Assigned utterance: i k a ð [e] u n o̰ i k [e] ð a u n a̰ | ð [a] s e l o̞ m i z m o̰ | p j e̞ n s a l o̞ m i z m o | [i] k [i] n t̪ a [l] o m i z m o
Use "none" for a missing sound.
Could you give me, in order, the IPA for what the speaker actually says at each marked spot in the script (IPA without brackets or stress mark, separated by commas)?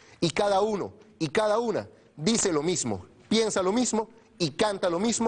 a, a, i, i, a, l